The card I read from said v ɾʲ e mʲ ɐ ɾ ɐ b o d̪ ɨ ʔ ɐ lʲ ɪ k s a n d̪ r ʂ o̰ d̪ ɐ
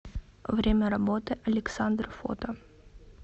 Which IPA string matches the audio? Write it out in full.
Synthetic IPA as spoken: v ɾʲ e mʲ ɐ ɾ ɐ b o t̪ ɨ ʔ ɐ lʲ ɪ k s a n d̪ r f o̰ t̪ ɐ